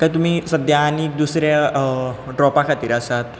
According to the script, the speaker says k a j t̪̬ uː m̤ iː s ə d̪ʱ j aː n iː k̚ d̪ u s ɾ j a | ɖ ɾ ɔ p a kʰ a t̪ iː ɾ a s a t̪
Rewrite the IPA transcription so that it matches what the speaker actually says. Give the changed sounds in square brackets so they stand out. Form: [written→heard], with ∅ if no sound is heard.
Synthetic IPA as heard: k a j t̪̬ [uː→u] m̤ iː s ə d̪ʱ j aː n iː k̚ d̪ u s ɾ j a | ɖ ɾ ɔ p a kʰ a t̪ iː ɾ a s a t̪